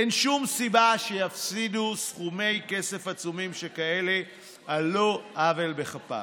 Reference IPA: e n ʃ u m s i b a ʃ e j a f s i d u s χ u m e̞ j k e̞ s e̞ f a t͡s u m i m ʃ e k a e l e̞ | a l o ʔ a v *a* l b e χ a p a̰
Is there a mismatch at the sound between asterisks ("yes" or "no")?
yes